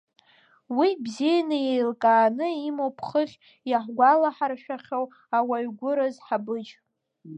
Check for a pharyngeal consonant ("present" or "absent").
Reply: present